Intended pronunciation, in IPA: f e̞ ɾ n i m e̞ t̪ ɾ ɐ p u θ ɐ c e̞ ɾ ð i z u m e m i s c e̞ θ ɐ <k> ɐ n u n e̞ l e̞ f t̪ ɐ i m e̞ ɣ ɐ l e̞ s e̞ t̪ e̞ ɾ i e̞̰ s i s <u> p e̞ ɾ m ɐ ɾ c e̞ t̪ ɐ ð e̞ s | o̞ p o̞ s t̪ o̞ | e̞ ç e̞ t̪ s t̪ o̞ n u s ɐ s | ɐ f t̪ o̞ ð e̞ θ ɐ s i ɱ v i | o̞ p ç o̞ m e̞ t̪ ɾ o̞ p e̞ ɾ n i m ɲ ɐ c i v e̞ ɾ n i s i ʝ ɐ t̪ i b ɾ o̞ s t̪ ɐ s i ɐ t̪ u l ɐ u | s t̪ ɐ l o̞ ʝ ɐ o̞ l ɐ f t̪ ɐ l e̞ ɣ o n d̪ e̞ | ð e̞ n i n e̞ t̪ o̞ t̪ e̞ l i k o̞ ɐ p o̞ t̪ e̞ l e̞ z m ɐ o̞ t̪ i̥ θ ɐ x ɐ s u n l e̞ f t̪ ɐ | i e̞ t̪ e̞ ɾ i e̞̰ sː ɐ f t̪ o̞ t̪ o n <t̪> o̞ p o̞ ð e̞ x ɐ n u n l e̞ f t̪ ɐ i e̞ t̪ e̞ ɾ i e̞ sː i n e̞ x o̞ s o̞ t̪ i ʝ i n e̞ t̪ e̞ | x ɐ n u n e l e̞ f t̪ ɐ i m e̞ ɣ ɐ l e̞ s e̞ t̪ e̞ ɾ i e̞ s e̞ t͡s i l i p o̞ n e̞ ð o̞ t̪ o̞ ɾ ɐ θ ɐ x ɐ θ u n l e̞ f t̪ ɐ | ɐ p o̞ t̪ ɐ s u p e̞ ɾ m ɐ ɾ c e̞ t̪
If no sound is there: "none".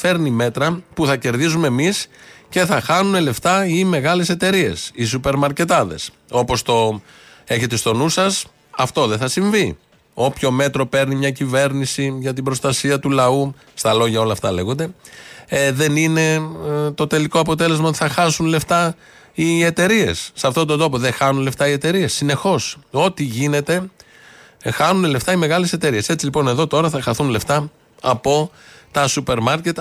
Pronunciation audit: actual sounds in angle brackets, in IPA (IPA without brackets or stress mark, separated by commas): x, u, d̪